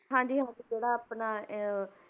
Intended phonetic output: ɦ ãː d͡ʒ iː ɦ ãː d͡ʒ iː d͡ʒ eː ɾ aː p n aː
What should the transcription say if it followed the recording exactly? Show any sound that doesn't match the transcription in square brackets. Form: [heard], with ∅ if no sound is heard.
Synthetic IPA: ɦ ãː d͡ʒ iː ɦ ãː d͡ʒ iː d͡ʒ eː [ɽ] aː p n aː